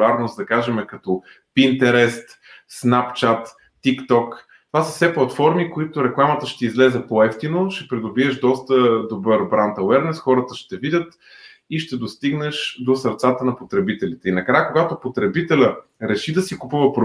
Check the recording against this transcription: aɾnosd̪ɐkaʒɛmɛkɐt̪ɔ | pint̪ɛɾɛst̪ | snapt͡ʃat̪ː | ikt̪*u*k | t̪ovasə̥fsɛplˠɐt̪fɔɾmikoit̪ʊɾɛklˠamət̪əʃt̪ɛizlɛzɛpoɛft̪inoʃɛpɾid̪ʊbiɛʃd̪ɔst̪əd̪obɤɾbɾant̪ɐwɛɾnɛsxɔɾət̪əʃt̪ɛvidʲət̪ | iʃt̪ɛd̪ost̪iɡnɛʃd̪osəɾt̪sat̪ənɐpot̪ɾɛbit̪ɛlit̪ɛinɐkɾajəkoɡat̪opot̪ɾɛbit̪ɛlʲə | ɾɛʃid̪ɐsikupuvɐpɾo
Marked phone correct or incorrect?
incorrect